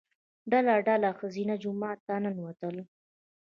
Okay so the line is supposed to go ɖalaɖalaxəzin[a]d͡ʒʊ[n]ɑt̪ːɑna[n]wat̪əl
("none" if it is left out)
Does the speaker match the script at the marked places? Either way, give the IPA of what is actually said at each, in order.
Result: a, m, n

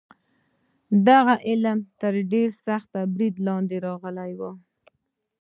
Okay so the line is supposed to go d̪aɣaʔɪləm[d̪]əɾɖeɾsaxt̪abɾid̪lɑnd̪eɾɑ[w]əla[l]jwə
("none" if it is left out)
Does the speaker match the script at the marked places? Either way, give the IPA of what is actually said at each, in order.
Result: t̪, ɣ, none

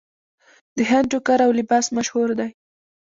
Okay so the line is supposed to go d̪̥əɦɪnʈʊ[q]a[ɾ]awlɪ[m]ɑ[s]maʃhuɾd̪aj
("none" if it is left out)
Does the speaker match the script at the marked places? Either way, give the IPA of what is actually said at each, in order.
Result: k, ɾ, b, s

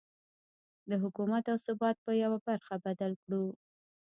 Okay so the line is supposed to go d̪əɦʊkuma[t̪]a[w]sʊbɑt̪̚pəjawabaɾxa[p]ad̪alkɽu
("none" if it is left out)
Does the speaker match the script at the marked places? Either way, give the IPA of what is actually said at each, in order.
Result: t̪, w, b

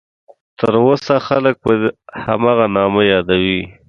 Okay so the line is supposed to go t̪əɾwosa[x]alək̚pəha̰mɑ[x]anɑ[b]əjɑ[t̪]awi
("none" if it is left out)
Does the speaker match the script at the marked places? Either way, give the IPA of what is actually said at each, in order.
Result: x, ɣ, m, d̪

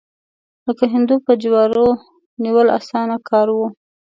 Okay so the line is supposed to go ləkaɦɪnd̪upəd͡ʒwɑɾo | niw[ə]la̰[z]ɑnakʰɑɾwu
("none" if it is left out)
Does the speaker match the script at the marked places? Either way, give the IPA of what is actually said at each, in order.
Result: ə, s

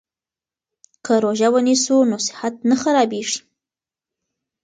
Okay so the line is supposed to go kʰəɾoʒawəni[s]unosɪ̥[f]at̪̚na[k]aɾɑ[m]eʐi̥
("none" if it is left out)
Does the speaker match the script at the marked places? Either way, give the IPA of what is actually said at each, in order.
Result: s, h, x, b

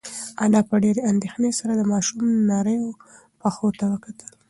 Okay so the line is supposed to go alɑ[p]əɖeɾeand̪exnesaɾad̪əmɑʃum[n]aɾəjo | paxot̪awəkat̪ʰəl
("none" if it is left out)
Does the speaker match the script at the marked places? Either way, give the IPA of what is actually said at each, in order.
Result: p, n

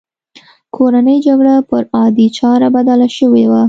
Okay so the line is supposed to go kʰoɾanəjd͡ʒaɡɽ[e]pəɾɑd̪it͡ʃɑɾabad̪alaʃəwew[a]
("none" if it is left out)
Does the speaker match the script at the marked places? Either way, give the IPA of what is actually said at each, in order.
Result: a, a

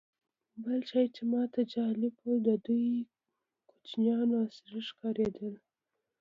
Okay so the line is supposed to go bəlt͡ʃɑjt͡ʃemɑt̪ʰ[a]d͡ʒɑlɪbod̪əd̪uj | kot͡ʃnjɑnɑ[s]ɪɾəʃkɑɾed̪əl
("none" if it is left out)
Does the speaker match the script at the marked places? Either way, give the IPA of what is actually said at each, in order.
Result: a, s

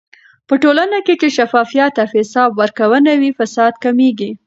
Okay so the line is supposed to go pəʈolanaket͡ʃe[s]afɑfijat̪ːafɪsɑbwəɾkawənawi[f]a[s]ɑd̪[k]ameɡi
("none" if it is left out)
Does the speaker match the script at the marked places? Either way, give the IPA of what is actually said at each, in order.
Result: ʃ, f, s, k

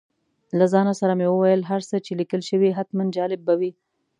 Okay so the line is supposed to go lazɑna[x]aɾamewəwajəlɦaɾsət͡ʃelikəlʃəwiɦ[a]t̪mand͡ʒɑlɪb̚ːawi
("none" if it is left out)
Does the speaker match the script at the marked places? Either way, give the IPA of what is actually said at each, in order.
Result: s, a

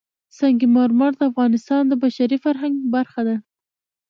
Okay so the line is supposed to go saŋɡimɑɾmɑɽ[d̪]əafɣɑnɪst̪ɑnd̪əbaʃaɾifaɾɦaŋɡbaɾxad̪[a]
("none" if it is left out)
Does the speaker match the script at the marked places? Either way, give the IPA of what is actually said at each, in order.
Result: d̪, a

